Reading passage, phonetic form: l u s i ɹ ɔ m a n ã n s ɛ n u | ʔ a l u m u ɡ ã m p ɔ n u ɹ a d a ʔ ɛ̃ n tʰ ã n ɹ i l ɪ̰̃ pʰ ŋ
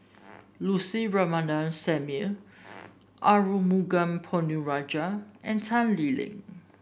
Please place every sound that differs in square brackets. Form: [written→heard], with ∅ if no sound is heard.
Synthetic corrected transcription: l u s i ɹ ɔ m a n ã n s ɛ [n→m] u | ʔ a [l→ɹ] u m u ɡ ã m [p→pʰ] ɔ n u ɹ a [d→d͡ʒ] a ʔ ɛ̃ n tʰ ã n [ɹ→l] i l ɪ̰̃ [pʰ→∅] ŋ

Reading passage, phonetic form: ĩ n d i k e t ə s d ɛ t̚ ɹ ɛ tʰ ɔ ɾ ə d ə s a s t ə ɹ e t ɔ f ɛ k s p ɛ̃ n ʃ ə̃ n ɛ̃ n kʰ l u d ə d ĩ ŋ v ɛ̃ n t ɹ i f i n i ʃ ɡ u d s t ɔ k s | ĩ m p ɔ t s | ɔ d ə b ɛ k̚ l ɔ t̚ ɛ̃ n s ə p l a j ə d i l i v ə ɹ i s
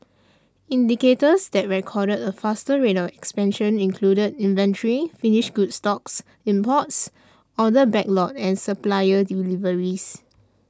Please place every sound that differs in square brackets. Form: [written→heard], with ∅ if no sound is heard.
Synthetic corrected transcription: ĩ n d i k e t ə s d ɛ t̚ ɹ ɛ [tʰ→kʰ] ɔ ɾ ə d ə [s→f] a s t ə ɹ e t ɔ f ɛ k s p ɛ̃ n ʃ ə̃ n [ɛ̃→ĩ] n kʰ l u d ə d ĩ [ŋ→n] v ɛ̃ n t ɹ i f i n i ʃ ɡ u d s t ɔ k s | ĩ m p ɔ t s | ɔ d ə b ɛ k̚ l ɔ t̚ ɛ̃ n s ə p l a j ə d i l i v ə ɹ i s

